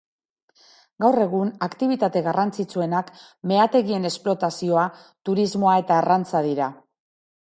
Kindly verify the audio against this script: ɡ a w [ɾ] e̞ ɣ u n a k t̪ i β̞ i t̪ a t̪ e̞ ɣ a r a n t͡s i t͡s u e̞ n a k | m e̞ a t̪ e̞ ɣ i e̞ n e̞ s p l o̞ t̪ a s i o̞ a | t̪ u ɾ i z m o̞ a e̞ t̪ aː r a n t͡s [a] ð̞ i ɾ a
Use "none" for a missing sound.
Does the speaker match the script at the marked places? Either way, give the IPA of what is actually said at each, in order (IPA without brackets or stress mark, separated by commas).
r, a